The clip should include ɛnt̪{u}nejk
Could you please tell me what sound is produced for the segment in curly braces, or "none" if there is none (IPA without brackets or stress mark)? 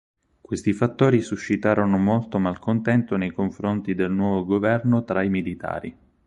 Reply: o